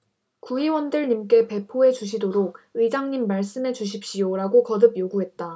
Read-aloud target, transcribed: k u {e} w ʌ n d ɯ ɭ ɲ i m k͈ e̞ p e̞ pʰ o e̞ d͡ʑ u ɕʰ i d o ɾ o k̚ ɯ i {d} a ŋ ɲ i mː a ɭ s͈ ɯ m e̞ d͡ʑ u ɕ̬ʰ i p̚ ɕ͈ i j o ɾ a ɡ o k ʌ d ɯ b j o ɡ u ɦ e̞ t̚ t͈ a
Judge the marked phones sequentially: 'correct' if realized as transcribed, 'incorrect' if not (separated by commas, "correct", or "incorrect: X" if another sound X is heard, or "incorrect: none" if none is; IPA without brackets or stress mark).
incorrect: i, incorrect: d͡ʑ